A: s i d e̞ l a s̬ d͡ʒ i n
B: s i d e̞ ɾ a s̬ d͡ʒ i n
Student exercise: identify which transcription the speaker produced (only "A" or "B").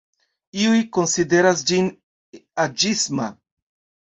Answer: B